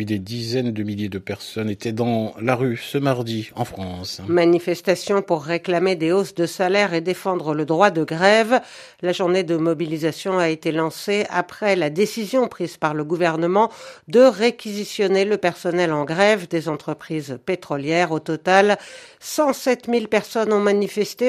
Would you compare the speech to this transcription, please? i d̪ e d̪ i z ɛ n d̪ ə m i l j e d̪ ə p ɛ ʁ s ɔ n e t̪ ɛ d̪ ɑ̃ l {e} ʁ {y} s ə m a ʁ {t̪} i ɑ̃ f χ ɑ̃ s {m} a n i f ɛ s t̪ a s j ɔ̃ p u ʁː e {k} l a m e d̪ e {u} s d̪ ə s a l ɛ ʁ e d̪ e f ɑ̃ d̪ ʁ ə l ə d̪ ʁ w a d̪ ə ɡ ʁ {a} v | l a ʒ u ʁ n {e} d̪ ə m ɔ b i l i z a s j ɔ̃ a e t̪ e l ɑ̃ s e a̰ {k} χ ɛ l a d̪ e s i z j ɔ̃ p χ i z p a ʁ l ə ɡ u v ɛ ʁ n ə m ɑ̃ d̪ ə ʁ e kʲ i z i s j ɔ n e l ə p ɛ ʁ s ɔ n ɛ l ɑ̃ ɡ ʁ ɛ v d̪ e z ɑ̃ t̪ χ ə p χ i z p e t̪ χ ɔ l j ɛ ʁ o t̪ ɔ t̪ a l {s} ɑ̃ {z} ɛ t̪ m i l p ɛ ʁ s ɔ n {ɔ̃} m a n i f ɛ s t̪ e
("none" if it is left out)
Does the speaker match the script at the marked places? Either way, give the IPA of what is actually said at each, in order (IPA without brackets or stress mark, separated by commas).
a, y, d̪, m, k, o, ɛ, e, p, s, s, ɔ̃